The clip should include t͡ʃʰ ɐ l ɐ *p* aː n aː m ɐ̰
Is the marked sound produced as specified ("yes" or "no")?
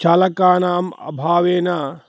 no